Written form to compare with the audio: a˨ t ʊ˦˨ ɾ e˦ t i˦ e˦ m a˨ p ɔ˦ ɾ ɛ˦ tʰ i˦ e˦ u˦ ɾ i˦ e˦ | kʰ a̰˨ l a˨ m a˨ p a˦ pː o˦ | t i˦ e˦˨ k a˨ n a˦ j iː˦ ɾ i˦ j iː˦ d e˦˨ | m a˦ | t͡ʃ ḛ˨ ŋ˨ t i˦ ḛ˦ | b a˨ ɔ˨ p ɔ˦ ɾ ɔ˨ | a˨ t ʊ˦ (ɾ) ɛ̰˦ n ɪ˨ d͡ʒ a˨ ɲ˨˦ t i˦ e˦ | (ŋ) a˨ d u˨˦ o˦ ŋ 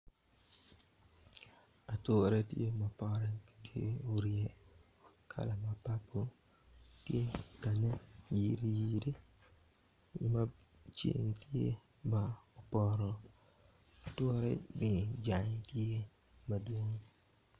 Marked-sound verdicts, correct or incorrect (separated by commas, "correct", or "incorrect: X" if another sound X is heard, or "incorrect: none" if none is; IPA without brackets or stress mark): correct, incorrect: m